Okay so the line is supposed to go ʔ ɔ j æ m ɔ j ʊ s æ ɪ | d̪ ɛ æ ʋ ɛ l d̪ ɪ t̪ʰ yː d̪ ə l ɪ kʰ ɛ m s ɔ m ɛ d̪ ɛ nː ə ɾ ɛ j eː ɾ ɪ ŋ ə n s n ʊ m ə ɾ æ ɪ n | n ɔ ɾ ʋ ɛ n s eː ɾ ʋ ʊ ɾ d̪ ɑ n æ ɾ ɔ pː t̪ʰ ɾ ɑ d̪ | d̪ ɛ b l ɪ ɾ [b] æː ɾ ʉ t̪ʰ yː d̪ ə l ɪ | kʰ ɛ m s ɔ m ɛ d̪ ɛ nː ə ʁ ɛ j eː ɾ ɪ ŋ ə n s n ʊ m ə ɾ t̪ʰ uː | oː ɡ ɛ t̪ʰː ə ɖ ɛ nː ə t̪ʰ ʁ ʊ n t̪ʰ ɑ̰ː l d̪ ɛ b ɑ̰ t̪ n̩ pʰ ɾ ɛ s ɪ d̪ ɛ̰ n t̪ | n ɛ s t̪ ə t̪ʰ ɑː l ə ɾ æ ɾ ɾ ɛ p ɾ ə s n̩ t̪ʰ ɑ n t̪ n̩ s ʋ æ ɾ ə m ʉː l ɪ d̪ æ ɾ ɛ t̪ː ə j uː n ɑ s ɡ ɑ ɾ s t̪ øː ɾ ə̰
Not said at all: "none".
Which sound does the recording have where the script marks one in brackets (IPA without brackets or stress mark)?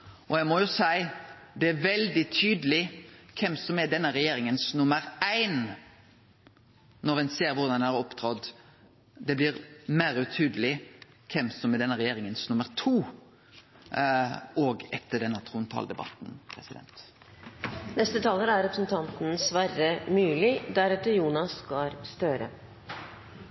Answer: m